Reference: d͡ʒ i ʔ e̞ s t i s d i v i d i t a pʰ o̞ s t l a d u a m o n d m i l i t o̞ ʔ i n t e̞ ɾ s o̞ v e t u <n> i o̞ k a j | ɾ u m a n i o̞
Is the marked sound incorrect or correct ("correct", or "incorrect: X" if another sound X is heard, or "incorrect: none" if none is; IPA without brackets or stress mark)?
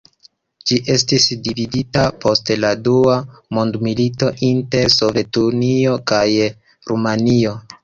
correct